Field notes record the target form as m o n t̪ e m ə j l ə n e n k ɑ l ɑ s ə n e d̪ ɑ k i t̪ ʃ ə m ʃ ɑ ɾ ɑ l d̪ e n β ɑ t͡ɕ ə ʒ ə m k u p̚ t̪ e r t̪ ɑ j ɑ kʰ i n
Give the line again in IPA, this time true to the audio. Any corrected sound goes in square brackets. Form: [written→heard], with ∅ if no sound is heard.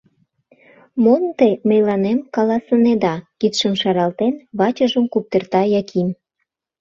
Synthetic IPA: m o n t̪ e m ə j l [ə→ɑ] n e [n→m] k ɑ l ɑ s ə n e d̪ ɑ k i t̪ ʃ ə m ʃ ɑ ɾ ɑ l [d̪→t̪] e n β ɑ t͡ɕ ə ʒ ə m k u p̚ t̪ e r t̪ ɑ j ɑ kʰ i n